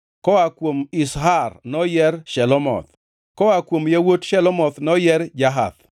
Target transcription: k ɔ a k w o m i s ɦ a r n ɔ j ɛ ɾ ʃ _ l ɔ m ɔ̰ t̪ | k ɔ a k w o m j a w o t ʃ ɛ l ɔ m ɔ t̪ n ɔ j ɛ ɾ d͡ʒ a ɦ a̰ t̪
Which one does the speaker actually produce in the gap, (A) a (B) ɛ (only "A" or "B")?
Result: B